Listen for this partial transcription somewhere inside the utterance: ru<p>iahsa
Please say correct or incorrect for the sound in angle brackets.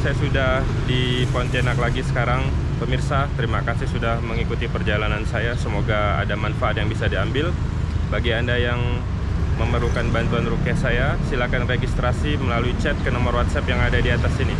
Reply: incorrect